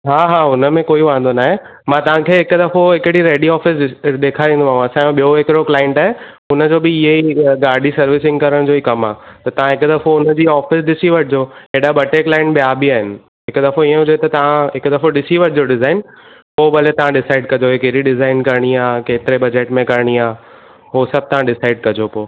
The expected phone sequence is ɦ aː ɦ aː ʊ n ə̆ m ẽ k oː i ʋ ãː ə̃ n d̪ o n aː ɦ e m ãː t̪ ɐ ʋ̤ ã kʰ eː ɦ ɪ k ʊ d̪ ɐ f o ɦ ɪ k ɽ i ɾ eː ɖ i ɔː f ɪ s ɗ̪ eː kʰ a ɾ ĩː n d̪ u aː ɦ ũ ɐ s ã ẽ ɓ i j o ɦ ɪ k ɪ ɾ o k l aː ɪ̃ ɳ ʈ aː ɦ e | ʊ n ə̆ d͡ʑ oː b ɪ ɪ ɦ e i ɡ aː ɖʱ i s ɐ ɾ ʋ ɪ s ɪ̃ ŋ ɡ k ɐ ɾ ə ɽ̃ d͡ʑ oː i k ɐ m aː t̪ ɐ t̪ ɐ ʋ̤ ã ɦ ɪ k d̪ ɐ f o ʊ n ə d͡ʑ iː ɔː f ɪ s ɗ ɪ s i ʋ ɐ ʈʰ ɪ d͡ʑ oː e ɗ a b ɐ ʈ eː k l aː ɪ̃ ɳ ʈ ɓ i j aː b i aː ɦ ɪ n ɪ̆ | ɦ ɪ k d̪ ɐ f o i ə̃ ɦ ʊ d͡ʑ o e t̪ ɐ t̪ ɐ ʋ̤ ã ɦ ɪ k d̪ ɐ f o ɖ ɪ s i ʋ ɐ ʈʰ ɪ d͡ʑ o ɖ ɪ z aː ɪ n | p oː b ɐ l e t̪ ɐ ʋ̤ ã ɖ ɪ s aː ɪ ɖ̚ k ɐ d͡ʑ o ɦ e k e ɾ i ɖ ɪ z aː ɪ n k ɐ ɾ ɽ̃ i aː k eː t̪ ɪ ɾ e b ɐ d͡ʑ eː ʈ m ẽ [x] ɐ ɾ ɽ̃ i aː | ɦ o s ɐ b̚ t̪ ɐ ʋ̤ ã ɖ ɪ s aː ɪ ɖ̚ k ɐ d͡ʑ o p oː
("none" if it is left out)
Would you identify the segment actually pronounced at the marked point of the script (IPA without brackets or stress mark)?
k